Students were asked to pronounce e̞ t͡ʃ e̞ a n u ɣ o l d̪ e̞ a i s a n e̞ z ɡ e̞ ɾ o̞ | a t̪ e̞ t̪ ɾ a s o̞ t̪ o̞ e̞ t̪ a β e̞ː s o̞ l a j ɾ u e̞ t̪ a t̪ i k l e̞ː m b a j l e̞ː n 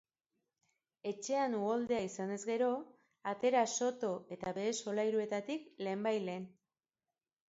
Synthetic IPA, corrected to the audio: e̞ t͡ʃ e̞ a n u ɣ o l d̪ e̞ a i s a n e̞ z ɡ e̞ ɾ o̞ | a t̪ e̞ ɾ a s o̞ t̪ o̞ e̞ t̪ a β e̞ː s o̞ l a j ɾ u e̞ t̪ a t̪ i k l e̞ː m b a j l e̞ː n